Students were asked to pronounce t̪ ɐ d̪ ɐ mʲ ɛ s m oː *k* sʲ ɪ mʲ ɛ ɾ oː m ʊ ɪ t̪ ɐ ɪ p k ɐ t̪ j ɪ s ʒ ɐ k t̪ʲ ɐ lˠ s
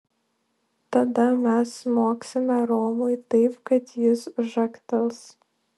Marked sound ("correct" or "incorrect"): correct